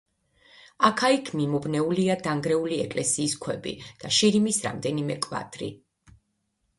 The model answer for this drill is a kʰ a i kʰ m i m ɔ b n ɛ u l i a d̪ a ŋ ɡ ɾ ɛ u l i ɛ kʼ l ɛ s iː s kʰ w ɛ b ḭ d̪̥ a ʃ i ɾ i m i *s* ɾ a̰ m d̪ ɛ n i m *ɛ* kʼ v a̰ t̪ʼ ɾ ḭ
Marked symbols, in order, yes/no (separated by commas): yes, yes